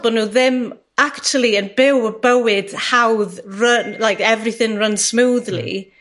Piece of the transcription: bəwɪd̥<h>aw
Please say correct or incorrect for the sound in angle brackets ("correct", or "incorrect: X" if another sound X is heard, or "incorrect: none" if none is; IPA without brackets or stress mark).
correct